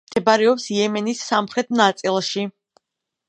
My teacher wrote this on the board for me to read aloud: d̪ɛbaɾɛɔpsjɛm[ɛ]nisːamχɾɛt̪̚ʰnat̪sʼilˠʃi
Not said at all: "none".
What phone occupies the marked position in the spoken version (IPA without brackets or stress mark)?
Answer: ɛ